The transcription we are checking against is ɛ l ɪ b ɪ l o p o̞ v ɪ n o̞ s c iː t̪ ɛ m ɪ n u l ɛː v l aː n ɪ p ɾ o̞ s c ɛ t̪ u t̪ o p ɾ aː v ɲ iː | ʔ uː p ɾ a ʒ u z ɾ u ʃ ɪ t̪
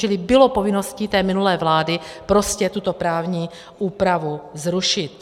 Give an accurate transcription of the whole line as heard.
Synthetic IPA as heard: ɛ l ɪ b ɪ l o p o̞ v ɪ n o̞ s c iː t̪ ɛː m ɪ n u l ɛː v l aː d ɪ p ɾ o̞ s c ɛ t̪ u t̪ o p ɾ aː v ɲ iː | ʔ uː p ɾ a v u z ɾ u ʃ ɪ t̪